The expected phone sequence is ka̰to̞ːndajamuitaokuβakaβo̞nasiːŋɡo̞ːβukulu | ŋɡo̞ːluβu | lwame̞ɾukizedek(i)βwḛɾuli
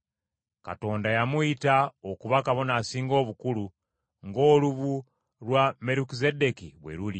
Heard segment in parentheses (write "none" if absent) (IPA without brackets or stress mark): i